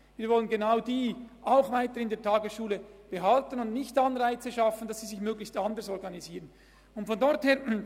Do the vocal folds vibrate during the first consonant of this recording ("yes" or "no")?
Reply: yes